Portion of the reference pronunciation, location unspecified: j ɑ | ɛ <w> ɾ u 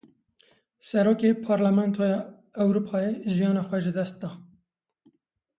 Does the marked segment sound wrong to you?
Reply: no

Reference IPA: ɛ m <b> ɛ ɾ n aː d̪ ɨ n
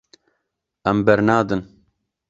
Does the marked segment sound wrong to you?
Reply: no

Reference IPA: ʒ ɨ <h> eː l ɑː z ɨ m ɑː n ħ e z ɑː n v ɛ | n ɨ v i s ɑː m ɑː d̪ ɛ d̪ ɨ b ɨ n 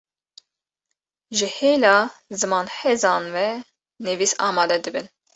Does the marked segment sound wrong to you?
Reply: no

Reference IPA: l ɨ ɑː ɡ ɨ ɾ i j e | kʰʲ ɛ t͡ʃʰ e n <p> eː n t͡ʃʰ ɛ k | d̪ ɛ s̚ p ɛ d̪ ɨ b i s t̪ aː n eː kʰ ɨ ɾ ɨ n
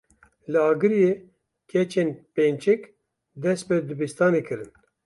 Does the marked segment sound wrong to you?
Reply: no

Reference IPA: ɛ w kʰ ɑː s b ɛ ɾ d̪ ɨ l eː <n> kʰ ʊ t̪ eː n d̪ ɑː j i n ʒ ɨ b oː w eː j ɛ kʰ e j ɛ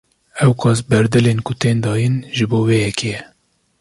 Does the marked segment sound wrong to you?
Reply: no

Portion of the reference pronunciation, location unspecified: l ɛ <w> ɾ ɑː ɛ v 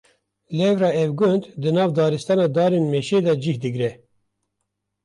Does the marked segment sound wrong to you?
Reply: yes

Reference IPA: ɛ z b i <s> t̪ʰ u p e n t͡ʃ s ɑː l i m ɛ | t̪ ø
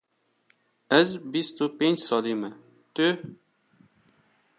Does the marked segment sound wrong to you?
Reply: no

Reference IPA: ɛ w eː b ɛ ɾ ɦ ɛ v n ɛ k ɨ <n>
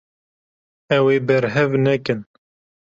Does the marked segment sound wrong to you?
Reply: no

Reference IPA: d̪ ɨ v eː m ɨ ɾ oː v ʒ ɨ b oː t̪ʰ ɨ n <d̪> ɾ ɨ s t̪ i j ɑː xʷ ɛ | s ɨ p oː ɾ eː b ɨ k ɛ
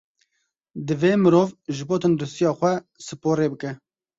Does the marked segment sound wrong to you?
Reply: no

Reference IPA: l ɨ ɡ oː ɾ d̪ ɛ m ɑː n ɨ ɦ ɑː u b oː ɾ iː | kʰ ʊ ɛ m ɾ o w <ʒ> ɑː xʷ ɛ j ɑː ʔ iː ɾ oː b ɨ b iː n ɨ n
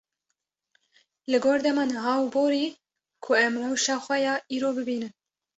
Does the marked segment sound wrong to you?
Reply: yes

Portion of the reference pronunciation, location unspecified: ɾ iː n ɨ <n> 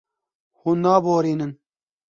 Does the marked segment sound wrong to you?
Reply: no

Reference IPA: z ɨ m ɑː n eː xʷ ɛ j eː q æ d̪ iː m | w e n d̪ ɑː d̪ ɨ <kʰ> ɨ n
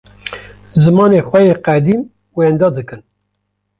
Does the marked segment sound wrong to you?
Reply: yes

